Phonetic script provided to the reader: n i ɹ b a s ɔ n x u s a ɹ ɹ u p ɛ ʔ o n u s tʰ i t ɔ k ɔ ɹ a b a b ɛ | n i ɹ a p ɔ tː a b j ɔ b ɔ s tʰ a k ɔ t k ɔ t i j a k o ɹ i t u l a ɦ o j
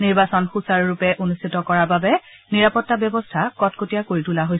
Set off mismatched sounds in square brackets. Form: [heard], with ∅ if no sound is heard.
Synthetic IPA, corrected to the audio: n i ɹ b a s ɔ n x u s a ɹ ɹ u p ɛ ʔ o n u s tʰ i t ɔ k ɔ ɹ a b a b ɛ | n i ɹ a p ɔ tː a b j ɔ b ɔ s tʰ a k ɔ t k [o] t i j a k o ɹ i t u l a ɦ o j